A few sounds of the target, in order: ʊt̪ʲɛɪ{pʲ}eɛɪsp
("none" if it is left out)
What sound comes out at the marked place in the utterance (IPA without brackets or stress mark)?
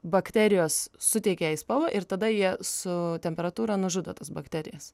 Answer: kʲ